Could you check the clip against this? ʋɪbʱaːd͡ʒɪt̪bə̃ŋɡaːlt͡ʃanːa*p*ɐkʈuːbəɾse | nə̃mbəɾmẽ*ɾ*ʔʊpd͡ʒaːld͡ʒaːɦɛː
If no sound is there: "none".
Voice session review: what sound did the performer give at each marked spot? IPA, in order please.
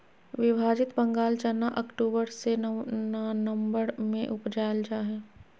ʔ, none

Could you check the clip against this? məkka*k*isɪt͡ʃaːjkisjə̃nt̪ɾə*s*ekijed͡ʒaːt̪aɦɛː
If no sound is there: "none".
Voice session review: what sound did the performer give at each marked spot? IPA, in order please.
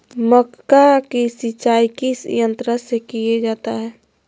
k, s

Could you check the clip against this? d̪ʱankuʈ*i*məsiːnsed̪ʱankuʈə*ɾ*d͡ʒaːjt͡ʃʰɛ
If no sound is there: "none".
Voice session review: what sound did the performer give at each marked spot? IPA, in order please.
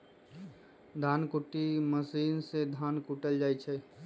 i, l

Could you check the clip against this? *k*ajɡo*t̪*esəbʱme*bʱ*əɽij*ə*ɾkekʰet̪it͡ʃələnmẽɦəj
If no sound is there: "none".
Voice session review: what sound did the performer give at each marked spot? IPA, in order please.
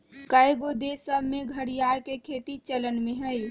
k, d̪, ɡʱ, a

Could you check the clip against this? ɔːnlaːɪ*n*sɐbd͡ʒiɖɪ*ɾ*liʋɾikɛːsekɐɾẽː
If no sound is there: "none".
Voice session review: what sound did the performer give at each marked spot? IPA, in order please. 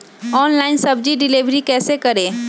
n, none

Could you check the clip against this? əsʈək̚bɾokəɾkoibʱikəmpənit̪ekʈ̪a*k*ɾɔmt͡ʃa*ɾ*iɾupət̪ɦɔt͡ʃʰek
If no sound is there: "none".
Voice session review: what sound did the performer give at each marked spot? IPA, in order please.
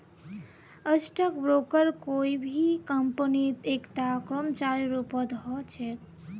k, ɾ

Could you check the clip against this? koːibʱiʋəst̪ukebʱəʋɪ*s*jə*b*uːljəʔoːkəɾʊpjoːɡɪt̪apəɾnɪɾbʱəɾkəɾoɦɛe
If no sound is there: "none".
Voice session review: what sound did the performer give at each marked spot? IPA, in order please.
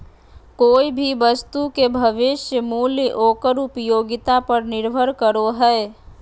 ʃ, m

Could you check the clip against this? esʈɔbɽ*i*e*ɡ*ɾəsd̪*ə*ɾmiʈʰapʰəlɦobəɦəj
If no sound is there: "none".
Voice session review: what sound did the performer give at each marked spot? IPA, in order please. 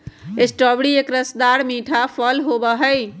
i, k, a

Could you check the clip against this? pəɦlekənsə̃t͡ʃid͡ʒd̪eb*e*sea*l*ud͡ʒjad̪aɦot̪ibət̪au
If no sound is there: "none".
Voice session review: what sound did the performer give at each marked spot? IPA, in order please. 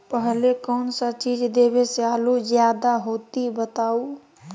e, l

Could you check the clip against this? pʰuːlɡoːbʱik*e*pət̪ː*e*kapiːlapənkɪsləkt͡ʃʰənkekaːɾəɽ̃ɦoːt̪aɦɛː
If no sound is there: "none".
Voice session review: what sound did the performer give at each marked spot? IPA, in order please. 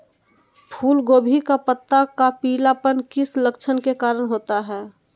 a, a

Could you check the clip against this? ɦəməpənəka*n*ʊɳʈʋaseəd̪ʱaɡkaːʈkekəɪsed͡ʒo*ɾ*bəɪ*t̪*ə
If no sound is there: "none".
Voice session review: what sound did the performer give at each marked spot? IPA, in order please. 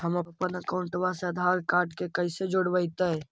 none, ɽ, t̪

